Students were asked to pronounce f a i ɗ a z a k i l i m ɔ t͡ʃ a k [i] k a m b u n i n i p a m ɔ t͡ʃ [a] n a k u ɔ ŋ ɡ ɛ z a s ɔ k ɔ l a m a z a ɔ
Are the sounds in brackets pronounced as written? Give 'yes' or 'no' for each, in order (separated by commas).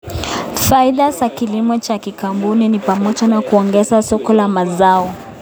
yes, yes